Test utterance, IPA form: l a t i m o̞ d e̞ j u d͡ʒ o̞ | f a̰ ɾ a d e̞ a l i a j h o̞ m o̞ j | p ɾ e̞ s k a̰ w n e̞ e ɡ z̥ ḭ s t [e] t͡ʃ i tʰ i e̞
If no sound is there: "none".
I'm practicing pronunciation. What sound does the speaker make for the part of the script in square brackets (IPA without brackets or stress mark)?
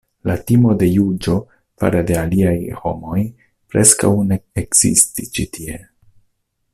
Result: i